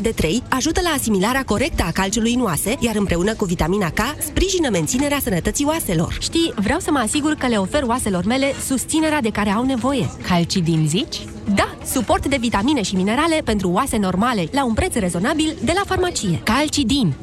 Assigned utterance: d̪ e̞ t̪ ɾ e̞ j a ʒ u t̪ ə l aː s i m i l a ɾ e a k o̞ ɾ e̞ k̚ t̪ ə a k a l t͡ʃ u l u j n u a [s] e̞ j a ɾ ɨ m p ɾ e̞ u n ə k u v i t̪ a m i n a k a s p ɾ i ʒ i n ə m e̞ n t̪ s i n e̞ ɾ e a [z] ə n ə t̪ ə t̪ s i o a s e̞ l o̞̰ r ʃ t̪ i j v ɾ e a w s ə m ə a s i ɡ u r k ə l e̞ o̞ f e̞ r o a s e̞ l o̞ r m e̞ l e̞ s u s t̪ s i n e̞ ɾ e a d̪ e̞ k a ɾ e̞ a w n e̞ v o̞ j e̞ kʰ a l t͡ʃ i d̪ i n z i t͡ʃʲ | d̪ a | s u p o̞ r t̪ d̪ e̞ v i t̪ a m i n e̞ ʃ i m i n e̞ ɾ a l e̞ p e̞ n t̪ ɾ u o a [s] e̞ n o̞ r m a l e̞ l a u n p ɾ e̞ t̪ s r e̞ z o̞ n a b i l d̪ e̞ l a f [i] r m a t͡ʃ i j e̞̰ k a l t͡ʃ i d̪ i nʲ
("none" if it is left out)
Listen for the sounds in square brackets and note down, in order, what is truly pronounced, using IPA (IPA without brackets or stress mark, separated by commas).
s, s, s, a